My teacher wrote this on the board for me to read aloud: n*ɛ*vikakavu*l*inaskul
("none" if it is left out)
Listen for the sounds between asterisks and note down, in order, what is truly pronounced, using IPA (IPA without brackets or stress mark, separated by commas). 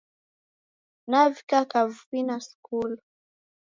a, none